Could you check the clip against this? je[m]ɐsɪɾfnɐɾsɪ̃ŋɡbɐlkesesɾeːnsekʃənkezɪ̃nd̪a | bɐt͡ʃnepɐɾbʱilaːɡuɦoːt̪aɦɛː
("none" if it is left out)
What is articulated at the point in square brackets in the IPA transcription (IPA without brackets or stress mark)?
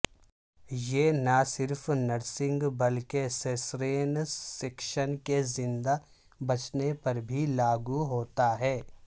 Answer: n